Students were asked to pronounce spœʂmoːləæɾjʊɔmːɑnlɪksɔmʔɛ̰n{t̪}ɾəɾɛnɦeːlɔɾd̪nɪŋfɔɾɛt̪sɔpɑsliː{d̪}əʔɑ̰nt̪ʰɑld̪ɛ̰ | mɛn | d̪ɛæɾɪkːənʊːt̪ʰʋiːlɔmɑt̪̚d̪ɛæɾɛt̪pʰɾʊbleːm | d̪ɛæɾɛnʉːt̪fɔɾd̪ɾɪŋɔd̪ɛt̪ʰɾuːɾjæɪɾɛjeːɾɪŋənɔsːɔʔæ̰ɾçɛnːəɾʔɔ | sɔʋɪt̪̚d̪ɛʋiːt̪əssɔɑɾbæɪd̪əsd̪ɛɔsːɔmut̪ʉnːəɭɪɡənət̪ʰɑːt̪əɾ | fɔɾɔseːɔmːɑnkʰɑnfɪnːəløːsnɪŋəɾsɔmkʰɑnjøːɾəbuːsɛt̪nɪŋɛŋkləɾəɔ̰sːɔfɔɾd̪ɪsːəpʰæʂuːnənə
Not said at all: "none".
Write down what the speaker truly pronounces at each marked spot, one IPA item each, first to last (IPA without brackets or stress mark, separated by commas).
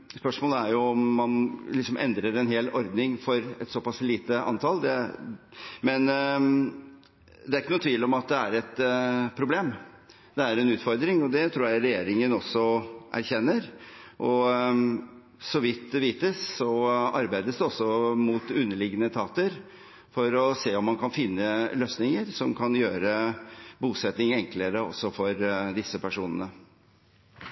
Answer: d̪, t̪